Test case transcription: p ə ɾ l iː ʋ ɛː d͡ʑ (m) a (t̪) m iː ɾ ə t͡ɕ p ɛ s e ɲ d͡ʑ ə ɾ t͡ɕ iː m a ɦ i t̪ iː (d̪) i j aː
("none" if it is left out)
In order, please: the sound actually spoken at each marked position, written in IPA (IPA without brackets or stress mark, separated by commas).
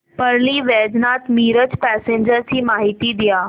n, t̪, d̪